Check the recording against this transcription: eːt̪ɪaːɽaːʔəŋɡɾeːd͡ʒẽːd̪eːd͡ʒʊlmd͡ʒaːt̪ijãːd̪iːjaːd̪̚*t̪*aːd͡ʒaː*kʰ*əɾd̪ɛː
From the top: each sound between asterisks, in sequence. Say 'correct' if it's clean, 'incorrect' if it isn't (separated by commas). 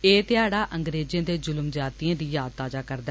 correct, incorrect